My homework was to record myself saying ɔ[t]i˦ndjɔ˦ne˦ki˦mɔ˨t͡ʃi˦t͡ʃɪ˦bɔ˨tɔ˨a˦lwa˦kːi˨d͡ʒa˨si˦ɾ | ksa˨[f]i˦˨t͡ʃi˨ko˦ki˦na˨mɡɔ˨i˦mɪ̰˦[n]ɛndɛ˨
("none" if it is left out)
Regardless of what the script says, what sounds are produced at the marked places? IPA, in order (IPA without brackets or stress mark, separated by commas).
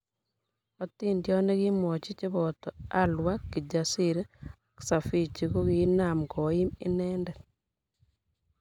t, f, n